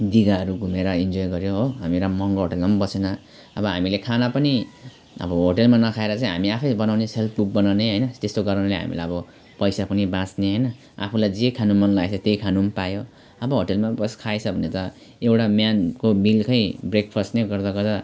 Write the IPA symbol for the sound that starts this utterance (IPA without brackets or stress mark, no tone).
d̪